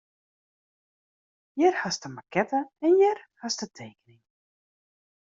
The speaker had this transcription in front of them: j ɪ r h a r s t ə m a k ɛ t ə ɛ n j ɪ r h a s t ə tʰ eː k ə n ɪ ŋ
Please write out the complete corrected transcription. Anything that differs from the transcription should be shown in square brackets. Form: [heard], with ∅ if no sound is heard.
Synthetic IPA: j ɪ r h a [∅] s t ə m a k ɛ t ə ɛ n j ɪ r h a s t ə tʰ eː k ə n ɪ ŋ

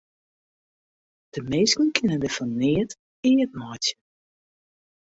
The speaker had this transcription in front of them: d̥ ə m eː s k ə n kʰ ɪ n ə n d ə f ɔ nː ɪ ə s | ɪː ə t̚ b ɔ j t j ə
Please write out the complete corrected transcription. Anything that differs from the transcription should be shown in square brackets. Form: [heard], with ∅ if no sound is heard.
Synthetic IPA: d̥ ə m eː s k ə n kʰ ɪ n ə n d ə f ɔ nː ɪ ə [t] | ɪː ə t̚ [m] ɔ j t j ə

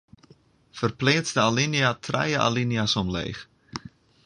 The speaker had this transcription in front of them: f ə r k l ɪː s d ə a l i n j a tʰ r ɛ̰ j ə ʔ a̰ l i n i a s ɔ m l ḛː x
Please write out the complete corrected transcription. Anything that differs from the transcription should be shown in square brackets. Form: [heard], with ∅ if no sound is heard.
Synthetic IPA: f ə r [p] l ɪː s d ə a l i n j a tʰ r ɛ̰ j ə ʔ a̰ l i n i a s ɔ m l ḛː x

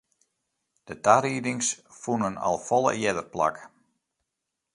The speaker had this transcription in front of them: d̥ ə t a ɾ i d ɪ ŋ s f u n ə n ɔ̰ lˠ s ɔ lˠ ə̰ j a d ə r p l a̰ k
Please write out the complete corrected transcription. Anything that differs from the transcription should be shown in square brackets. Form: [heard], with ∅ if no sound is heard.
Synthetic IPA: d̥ ə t a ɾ i d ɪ ŋ s f u n ə n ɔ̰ lˠ [f] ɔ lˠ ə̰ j [ɛ] d ə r p l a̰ k

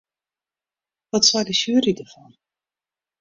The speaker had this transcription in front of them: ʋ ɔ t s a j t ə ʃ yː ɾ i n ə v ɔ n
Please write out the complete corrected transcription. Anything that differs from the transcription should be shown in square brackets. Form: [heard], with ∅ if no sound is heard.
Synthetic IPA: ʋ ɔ t s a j [d] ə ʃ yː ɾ i [d] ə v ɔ n

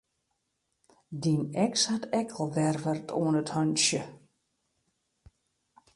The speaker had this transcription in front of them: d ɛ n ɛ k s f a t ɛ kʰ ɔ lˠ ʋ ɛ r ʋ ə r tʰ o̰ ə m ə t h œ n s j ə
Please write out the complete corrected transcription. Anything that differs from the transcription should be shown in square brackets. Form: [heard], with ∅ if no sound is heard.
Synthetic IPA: d [i] n ɛ k s [h] a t ɛ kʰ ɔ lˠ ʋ ɛ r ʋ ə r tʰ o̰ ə [n] ə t h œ n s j ə

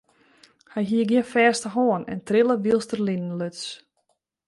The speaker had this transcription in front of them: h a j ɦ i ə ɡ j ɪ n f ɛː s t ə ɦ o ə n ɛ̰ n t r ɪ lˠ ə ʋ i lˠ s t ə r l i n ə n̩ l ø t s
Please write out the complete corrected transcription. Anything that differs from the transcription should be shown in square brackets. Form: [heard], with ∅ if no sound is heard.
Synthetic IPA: h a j ɦ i ə ɡ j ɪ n f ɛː s t ə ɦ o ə n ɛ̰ n t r ɪ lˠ ə ʋ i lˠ s t ə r l i n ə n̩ l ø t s

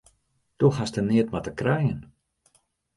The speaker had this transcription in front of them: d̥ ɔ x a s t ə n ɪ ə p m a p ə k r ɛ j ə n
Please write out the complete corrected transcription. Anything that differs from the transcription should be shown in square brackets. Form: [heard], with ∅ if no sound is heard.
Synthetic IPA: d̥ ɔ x a s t ə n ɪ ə [t] m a [t] ə k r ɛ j ə n

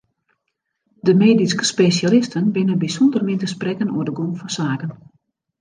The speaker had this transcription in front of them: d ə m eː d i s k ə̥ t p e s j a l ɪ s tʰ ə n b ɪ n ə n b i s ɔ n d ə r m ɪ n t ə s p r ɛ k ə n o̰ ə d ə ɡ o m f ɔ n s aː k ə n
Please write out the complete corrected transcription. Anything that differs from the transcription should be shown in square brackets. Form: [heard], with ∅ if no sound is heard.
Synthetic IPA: d ə m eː d i s k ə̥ [s] p e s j a l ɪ s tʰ ə n b ɪ n ə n b i s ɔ n d ə r m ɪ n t ə s p r ɛ k ə n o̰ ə d ə ɡ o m f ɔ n s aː k ə n

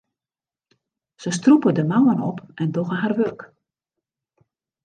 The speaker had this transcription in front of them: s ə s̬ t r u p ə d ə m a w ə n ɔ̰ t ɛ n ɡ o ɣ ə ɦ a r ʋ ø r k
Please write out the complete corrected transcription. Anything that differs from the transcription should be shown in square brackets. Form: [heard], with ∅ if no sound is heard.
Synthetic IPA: s ə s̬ t r u p ə d ə m a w ə n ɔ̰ [p] ɛ n [d] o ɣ ə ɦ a r ʋ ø r k

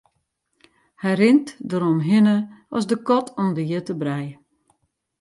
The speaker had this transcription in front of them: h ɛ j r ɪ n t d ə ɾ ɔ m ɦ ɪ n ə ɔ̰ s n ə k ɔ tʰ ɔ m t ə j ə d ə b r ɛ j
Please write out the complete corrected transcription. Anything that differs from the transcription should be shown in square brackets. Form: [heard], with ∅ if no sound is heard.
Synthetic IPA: h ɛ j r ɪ n t d ə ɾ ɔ m ɦ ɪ n ə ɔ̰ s [d] ə k ɔ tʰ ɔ m [d] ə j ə [t] ə b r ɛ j

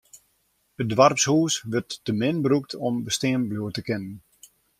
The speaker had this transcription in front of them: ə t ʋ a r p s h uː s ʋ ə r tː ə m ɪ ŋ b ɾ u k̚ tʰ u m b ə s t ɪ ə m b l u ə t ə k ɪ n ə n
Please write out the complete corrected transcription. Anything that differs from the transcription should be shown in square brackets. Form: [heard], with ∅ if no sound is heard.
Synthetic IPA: ə [d] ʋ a r p s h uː s ʋ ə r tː ə m ɪ [n] b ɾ u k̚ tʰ [ɔ] m b ə s t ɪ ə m b l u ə t ə k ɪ n ə n

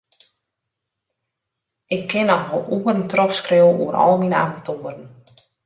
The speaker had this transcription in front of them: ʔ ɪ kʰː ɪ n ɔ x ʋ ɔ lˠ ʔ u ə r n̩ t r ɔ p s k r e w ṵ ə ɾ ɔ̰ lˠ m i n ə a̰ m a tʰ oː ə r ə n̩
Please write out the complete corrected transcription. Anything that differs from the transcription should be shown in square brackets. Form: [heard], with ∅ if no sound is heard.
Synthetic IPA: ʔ ɪ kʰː ɪ n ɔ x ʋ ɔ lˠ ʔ u ə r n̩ t r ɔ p s k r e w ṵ ə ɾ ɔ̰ lˠ m i n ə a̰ m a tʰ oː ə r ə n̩

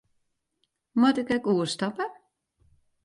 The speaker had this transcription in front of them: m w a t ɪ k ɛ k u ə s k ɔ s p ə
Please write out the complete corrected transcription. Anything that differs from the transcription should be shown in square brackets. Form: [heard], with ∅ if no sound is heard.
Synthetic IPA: m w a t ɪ k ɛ k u ə s [t] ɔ [∅] p ə

